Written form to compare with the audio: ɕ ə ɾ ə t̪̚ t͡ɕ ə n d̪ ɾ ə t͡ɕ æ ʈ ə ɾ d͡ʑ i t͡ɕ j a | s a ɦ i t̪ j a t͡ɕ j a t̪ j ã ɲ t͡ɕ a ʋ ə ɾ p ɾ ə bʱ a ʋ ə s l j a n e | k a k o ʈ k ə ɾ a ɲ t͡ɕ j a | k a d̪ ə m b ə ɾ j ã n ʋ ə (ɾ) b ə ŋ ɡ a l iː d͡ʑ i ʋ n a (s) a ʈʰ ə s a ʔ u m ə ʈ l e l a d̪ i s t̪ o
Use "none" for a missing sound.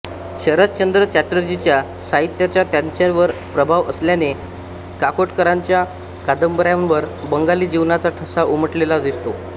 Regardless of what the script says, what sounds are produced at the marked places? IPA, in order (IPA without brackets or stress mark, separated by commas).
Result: ɾ, t͡s